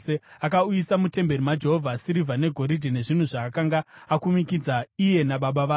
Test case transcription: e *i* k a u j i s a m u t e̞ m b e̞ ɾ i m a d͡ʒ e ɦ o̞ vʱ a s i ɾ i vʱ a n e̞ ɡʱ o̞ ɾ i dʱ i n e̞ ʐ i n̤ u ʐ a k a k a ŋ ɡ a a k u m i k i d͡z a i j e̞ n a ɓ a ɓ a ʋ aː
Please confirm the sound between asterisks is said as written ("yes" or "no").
no